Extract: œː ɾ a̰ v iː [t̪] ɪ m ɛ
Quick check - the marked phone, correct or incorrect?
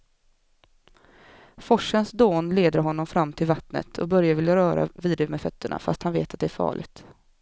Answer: incorrect